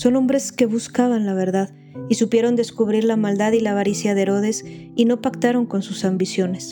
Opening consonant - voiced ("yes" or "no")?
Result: no